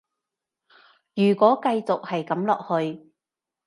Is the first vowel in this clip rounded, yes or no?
yes